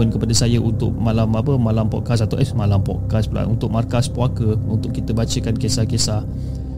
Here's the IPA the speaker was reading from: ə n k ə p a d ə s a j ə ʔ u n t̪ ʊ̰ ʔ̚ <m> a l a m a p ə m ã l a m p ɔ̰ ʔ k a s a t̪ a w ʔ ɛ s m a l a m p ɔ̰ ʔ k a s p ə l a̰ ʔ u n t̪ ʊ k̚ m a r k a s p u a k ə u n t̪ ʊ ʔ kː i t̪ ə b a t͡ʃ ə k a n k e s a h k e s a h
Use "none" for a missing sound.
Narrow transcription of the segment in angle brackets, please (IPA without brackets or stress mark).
m